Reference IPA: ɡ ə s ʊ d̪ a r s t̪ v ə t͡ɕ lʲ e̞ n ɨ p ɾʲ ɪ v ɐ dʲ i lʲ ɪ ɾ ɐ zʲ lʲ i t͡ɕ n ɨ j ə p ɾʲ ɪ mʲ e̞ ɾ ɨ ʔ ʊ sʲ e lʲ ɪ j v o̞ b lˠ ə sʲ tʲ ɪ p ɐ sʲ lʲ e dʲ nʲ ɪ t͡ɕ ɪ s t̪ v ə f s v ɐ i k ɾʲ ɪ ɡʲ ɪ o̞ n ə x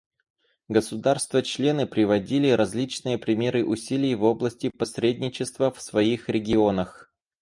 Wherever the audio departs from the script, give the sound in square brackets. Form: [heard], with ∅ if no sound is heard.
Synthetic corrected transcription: ɡ ə s ʊ d̪ a r s t̪ v ə t͡ɕ lʲ e̞ n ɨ p ɾʲ ɪ v ɐ dʲ i lʲ ɪ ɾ ɐ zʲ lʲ i t͡ɕ n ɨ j ə p ɾʲ ɪ mʲ e̞ ɾ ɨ ʔ ʊ sʲ [i] lʲ ɪ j v o̞ b lˠ ə sʲ tʲ ɪ p ɐ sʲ [ɾʲ] e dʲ nʲ ɪ t͡ɕ ɪ s t̪ v ə f s v ɐ i [x] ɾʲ ɪ ɡʲ ɪ o̞ n ə x